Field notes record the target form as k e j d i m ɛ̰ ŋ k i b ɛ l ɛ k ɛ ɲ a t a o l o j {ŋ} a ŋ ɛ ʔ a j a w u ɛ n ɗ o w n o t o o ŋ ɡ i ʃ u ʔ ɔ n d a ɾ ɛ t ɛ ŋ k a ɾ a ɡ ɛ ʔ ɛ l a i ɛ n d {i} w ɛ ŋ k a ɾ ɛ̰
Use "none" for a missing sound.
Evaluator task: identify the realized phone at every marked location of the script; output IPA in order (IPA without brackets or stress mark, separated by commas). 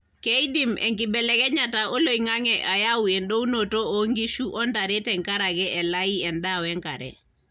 ŋ, a